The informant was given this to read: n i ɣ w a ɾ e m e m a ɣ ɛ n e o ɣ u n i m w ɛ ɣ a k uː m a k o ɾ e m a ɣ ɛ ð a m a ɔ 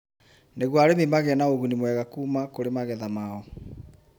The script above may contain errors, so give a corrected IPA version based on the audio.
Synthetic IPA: n e ɣ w a ɾ e m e m a ɣ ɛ n a o ɣ u n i m w ɛ ɣ a k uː m a k o ɾ e m a ɣ ɛ ð a m a ɔ